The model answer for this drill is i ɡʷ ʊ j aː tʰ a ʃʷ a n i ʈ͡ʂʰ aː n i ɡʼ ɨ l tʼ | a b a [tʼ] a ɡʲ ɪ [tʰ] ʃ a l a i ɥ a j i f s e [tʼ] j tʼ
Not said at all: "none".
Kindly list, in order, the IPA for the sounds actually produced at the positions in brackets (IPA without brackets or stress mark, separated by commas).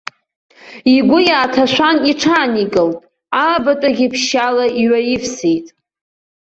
tʼ, pʰ, none